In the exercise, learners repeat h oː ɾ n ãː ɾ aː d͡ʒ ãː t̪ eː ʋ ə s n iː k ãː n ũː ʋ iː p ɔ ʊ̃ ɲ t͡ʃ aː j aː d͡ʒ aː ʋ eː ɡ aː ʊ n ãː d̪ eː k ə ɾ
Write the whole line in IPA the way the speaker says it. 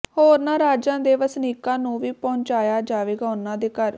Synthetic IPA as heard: h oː ɾ n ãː ɾ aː d͡ʒ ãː d̪ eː ʋ ə s n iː k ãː n ũː ʋ iː p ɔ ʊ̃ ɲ t͡ʃ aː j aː d͡ʒ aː ʋ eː ɡ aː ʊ n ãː d̪ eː k ə ɾ